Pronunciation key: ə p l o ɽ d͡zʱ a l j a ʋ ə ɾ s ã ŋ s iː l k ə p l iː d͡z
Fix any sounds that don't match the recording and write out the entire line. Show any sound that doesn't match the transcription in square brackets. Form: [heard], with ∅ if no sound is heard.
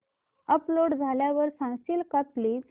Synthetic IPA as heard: ə p l o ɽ d͡zʱ a l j a ʋ ə ɾ s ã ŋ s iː l k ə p l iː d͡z